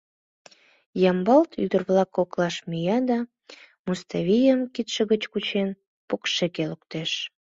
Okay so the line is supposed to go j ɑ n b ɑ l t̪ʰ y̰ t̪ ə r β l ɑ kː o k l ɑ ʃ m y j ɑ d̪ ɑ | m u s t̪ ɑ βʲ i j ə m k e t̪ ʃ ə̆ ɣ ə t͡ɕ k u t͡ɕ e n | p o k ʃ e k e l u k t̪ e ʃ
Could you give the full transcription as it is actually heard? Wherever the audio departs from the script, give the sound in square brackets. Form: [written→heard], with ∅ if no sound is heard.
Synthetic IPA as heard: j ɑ [n→m] b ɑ l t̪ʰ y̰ [t̪→d̪] ə r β l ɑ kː o k l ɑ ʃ m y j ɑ d̪ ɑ | m u s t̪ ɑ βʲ i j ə m k [e→i] t̪ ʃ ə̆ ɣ ə t͡ɕ k u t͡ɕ e n | p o k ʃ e k e l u k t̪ e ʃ